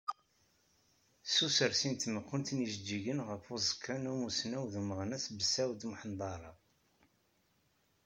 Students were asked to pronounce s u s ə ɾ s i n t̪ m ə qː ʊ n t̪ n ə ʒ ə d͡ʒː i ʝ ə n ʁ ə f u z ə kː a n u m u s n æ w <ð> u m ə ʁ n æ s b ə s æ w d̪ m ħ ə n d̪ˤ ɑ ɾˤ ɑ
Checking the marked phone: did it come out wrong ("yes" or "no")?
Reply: no